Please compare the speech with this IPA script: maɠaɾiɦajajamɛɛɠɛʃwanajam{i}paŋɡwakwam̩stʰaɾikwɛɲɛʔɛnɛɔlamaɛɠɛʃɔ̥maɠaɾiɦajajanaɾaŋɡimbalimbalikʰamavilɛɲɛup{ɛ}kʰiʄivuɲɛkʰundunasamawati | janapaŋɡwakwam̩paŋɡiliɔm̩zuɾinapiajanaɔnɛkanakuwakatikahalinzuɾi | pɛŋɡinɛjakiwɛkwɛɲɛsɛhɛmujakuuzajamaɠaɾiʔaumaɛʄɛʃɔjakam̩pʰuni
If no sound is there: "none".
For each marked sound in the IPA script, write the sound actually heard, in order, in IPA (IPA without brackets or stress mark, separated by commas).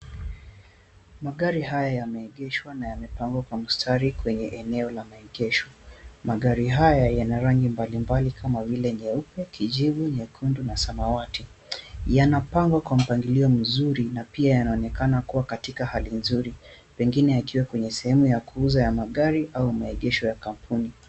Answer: ɛ, ɛ